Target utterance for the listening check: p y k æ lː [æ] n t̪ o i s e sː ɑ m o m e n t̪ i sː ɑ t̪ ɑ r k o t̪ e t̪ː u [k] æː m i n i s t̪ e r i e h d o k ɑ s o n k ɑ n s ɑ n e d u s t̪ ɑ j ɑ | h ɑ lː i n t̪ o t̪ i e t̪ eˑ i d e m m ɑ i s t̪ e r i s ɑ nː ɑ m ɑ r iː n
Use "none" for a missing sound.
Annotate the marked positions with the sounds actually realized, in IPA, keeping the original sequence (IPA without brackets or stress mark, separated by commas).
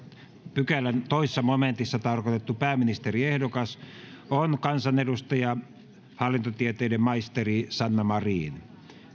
æ, p